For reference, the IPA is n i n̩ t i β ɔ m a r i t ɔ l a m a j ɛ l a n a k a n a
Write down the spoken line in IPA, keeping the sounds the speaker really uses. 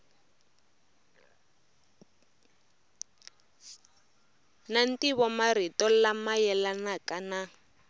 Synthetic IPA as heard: n a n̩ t i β ɔ m a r i t ɔ l a m a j ɛ l a n a k a n a